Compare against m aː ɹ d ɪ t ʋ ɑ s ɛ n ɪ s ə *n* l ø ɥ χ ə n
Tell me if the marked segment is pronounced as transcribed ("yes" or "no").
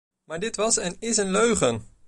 yes